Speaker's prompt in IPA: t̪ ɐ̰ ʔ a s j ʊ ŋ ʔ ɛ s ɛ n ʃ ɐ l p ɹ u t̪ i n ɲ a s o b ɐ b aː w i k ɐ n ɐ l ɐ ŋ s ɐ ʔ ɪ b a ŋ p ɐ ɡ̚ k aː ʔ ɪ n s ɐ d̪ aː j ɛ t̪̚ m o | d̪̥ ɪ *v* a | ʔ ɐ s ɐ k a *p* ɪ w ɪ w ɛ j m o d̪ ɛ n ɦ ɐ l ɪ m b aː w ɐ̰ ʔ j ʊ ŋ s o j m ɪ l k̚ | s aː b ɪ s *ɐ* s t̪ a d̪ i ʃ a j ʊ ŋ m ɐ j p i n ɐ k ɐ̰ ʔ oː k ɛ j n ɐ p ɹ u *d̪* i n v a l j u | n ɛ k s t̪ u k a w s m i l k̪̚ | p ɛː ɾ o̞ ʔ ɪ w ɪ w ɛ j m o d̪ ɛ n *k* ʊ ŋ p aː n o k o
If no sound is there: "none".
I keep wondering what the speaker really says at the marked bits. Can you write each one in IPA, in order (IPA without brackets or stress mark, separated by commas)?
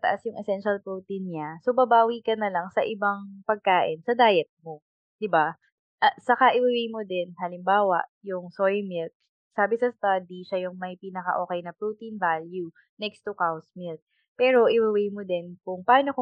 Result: b, ʔ, ɐ, t̪, k